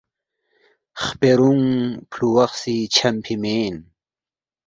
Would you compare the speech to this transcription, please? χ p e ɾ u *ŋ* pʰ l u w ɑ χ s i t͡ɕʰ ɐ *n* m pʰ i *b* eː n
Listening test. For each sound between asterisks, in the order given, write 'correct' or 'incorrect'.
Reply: correct, incorrect: none, incorrect: m

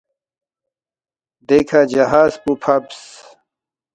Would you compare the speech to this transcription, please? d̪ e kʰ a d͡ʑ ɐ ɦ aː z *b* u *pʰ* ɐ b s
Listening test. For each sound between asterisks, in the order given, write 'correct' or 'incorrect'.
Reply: incorrect: p, correct

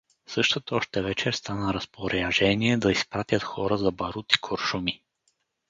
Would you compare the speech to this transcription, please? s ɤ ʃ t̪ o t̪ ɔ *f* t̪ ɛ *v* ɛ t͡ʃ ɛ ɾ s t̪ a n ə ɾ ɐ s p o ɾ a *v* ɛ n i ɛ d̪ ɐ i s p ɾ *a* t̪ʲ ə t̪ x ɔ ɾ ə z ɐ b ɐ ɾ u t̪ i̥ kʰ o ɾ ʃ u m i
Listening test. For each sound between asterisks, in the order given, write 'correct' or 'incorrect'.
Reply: incorrect: ʃ, correct, incorrect: ʒ, correct

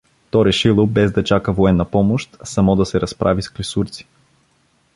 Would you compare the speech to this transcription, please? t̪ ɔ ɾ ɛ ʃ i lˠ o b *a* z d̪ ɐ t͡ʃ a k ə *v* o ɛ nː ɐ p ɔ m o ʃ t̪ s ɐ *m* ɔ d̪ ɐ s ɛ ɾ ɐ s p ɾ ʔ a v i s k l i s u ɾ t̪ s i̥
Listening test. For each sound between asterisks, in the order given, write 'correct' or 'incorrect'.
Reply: incorrect: ɛ, correct, correct

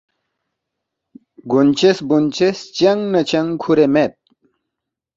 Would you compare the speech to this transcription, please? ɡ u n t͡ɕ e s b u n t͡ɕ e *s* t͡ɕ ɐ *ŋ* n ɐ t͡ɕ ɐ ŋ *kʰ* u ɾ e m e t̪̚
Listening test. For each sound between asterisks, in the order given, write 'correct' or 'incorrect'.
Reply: correct, correct, correct

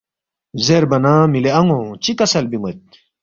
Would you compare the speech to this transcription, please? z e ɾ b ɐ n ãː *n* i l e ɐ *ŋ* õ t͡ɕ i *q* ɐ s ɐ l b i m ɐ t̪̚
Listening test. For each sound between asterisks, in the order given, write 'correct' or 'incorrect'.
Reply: incorrect: m, correct, incorrect: k

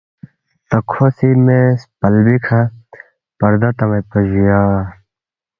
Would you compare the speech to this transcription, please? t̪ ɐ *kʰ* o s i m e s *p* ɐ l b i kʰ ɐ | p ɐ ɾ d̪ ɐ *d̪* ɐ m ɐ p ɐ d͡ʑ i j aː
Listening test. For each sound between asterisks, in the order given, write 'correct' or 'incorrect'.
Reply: correct, correct, incorrect: t̪

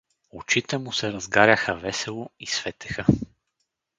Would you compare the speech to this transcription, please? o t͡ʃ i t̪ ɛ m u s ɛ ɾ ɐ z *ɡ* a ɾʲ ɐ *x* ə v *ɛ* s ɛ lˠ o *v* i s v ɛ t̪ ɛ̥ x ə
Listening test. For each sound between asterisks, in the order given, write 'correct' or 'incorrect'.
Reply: correct, correct, correct, incorrect: none

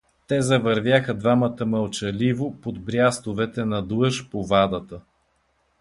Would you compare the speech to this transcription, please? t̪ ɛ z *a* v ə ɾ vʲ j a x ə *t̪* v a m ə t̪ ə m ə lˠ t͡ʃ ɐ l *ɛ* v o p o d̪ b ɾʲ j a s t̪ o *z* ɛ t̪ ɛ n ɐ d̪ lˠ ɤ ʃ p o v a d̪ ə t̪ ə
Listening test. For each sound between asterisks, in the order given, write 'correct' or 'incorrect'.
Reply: incorrect: ɐ, incorrect: d̪, incorrect: i, incorrect: v

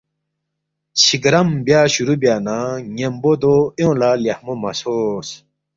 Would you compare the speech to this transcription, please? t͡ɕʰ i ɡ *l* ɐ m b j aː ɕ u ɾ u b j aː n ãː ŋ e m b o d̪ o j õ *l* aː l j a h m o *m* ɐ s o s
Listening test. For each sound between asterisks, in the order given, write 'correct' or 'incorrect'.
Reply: incorrect: ɾ, correct, correct

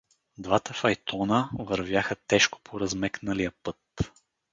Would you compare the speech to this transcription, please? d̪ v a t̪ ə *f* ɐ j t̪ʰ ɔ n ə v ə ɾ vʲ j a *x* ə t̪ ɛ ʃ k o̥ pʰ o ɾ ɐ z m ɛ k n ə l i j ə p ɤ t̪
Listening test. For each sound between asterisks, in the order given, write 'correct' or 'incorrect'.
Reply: correct, correct

